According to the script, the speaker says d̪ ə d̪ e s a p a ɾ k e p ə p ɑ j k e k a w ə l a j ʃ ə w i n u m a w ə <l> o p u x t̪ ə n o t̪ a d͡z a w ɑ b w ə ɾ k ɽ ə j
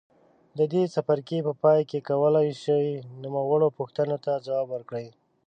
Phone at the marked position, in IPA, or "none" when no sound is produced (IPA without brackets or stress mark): ɽ